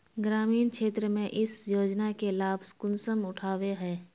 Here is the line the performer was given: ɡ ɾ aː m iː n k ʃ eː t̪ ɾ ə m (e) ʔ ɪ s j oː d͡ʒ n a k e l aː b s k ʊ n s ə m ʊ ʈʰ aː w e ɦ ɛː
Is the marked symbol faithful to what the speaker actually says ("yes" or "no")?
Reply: no